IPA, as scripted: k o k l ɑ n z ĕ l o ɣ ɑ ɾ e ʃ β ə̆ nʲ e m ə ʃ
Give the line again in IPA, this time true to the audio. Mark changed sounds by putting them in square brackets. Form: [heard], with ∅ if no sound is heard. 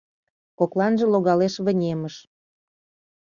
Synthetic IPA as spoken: k o k l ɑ n [ʒ] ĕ l o ɣ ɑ [l] e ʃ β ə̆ nʲ e m ə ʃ